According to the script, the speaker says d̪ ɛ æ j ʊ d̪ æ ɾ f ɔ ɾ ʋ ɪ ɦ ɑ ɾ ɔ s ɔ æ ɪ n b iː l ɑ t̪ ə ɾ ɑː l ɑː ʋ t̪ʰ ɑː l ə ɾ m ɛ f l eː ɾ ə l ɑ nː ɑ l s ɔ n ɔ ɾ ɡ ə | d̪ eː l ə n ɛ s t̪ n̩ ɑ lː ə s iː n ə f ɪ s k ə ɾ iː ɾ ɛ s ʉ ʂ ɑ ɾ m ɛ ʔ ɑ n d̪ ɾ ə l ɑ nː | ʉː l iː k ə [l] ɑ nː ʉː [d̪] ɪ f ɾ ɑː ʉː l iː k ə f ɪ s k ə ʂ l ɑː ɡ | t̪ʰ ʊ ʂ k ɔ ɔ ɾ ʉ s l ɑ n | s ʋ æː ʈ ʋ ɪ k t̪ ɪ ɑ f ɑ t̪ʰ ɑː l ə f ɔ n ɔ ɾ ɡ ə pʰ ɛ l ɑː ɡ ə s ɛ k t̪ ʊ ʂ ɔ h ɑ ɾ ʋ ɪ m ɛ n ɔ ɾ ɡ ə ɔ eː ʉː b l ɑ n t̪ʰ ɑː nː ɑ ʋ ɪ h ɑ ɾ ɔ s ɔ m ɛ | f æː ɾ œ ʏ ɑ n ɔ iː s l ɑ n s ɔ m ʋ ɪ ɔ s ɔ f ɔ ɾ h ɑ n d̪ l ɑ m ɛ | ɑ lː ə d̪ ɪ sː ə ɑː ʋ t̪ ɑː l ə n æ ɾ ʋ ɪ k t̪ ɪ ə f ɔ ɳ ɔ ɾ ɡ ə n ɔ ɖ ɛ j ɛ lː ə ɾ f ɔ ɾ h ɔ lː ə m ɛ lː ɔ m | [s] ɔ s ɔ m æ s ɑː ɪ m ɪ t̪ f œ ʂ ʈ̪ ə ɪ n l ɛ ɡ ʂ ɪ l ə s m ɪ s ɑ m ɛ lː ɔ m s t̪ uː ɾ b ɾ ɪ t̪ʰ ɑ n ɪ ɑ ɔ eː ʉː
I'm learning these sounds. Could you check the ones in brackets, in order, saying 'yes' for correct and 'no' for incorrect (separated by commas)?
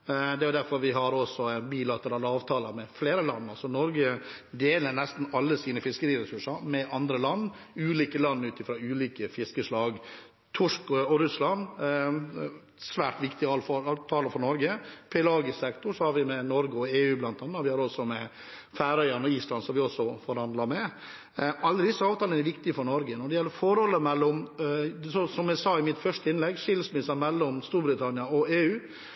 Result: yes, no, yes